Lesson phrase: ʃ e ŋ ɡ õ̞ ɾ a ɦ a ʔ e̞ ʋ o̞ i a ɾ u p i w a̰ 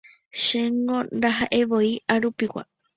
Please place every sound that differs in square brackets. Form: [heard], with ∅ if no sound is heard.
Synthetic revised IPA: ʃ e ŋ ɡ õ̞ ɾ a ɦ a ʔ e̞ ʋ o̞ i a ɾ u p i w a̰